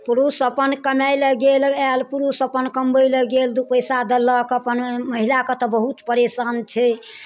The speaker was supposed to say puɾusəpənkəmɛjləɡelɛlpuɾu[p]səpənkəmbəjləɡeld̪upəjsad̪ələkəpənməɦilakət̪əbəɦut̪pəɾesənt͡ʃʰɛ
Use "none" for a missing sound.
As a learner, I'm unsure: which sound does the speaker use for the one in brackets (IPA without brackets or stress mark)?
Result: none